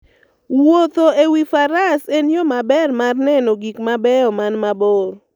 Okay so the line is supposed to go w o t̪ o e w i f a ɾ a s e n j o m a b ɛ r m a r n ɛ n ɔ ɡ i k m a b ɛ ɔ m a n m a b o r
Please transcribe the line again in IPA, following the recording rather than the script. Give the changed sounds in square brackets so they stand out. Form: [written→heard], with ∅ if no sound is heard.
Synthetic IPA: w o t̪ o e w i f a ɾ a s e n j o m a b ɛ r m a r n ɛ n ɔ ɡ i k m a b ɛ ɔ m a n m a b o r